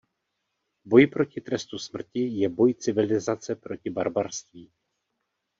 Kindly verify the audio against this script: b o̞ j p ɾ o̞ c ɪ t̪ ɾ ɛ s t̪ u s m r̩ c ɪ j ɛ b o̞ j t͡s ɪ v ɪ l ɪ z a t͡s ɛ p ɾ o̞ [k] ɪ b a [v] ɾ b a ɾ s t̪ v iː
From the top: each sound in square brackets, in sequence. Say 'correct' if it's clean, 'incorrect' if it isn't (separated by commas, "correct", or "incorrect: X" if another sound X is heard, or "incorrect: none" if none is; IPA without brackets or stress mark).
incorrect: c, incorrect: none